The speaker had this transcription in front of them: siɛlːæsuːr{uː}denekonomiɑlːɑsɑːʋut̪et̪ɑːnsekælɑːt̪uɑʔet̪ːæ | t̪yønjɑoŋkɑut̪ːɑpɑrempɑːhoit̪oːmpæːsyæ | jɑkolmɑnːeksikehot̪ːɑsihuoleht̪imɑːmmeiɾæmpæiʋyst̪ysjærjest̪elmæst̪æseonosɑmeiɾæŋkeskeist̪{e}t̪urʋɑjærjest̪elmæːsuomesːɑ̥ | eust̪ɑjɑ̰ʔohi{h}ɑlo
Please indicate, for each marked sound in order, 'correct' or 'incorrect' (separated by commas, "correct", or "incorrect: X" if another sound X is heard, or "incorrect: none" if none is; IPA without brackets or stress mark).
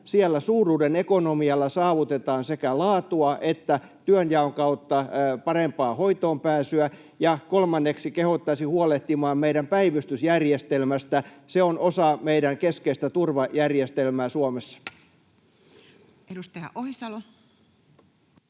correct, incorrect: æ, incorrect: s